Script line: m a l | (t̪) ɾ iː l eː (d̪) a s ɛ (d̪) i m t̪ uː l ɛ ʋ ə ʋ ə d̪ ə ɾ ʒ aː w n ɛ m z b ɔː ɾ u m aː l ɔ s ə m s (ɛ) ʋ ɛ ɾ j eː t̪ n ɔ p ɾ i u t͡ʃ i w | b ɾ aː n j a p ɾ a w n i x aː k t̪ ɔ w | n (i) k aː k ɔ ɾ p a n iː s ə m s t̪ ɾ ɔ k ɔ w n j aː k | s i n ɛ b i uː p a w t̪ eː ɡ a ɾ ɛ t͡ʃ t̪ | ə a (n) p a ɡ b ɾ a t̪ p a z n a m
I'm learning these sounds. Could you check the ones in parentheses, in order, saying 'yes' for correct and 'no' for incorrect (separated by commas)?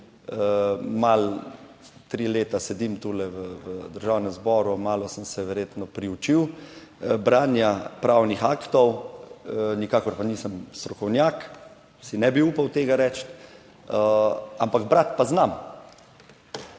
yes, no, yes, yes, yes, no